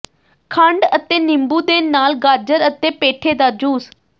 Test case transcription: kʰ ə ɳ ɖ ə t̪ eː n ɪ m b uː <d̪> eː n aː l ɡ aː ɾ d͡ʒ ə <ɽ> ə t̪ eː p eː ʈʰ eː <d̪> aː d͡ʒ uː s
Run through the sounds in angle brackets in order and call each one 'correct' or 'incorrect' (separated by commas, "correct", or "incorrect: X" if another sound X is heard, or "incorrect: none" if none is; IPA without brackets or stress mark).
correct, incorrect: ɾ, correct